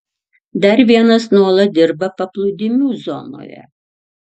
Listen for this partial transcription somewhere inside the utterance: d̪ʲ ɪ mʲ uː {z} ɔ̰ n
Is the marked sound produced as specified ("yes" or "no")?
yes